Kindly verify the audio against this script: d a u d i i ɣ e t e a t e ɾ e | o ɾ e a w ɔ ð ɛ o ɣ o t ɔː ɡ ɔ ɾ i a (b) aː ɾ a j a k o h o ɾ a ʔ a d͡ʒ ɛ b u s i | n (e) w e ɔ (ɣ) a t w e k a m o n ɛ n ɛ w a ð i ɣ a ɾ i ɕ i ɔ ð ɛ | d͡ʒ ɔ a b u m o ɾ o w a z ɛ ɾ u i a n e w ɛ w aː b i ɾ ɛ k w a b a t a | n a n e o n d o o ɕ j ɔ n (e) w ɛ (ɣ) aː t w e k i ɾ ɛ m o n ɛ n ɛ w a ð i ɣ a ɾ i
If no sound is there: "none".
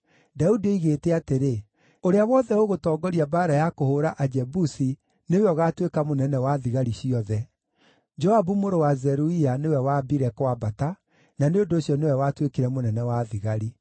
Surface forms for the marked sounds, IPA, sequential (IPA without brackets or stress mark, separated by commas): b, e, ɣ, e, w